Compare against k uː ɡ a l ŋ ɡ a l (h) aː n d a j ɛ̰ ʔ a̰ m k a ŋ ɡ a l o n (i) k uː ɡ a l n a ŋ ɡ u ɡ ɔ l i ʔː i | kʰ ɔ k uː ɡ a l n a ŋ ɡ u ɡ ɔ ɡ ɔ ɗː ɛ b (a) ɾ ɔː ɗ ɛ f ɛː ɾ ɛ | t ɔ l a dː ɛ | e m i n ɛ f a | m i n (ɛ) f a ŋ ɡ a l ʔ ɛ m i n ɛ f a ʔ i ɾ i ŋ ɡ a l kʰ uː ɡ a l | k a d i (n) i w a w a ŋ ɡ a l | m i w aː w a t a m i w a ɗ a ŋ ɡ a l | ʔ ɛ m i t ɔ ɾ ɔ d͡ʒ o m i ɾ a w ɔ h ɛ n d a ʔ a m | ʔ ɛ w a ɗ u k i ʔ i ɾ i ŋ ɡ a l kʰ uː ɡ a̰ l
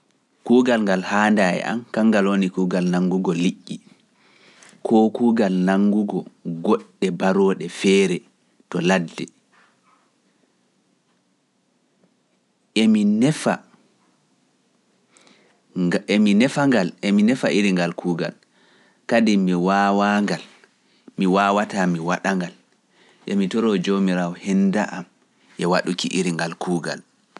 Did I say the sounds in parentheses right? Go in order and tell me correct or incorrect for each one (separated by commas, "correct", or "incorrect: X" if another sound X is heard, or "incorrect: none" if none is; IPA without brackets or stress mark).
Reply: correct, correct, correct, correct, incorrect: m